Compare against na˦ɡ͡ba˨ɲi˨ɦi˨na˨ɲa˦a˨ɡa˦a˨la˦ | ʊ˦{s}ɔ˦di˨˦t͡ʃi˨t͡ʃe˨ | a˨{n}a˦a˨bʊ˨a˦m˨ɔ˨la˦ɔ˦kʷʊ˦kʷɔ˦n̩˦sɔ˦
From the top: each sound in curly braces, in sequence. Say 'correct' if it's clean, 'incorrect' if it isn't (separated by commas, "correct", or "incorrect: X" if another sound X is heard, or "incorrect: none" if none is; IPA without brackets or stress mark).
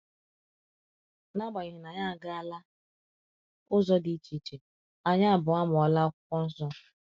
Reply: incorrect: z, incorrect: ɲ